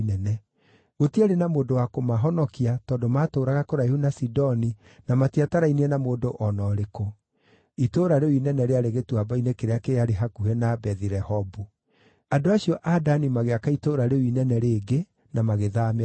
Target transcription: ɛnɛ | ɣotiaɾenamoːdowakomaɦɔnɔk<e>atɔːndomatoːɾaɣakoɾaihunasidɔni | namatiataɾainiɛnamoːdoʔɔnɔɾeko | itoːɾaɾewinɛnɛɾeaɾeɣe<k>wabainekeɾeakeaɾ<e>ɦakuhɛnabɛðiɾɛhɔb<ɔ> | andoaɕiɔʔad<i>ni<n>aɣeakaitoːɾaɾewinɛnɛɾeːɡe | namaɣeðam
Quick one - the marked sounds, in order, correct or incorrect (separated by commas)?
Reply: incorrect, incorrect, correct, incorrect, incorrect, incorrect